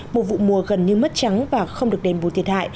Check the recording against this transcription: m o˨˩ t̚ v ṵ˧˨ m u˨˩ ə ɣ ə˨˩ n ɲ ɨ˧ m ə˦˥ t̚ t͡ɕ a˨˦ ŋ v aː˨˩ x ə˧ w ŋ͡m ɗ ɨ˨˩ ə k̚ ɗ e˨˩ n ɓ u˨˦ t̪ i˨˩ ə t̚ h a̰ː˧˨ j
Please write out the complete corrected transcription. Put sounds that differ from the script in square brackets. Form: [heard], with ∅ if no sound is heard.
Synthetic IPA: m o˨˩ t̚ v ṵ˧˨ m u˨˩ ə ɣ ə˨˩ n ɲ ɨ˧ m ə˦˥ t̚ t͡ɕ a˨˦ ŋ v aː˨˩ x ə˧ w ŋ͡m ɗ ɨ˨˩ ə k̚ ɗ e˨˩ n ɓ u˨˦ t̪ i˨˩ ə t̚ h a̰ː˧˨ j